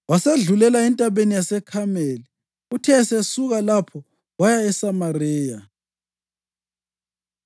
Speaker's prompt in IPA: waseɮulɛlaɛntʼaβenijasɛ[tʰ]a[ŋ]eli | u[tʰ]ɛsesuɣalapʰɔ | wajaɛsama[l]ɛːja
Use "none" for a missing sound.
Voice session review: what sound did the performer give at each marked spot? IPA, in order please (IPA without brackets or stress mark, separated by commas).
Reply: kʰ, m, tʰ, r